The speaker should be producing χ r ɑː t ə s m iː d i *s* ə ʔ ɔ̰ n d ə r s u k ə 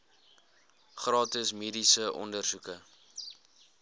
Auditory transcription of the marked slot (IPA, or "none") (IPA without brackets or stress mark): s